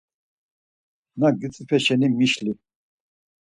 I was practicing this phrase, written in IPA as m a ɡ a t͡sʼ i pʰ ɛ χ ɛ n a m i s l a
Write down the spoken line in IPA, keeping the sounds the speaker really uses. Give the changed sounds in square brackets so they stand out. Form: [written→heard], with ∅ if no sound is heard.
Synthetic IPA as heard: [m→n] a ɡ [a→i] t͡sʼ i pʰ ɛ [χ→ʃ] ɛ n [a→i] m i [s→ʃ] l [a→i]